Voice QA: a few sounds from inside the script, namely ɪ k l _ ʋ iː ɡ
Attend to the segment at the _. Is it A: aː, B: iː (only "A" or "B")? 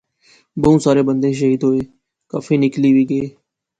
B